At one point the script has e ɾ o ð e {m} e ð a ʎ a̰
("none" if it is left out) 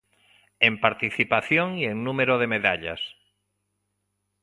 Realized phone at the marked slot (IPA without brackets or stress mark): m